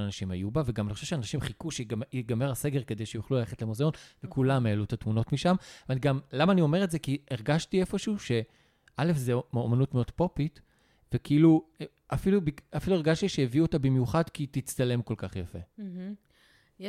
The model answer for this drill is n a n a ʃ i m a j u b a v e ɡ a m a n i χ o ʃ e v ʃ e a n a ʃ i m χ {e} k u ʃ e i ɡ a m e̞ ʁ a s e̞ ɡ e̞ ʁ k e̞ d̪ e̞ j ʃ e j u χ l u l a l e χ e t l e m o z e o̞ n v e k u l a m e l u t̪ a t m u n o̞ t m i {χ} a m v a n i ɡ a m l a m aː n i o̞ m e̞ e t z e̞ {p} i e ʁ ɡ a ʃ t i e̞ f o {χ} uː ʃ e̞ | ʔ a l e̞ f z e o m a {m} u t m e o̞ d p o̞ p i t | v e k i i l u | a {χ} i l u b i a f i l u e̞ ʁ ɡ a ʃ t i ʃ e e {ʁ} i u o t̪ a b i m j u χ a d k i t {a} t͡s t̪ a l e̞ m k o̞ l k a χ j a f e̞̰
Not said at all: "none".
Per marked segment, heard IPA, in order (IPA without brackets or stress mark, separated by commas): i, ʃ, k, ʃ, n, f, v, i